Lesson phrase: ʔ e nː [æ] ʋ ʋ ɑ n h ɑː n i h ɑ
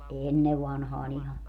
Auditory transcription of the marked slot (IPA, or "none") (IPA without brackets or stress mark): e